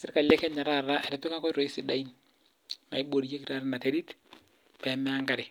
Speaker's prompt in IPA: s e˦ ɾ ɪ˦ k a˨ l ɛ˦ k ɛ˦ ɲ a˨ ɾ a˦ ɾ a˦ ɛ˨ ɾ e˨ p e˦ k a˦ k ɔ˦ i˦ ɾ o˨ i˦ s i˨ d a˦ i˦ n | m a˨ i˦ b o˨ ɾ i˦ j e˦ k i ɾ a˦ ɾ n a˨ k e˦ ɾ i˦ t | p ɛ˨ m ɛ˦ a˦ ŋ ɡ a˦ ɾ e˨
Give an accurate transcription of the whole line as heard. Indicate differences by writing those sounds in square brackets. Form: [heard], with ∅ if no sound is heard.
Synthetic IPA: s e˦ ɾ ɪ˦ k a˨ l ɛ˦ k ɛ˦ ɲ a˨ ɾ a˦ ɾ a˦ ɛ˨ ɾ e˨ p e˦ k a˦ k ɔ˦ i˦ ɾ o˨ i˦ s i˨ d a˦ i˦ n | m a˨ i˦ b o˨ ɾ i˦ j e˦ k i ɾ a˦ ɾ n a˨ [t] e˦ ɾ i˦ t | p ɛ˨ m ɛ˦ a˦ ŋ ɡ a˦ ɾ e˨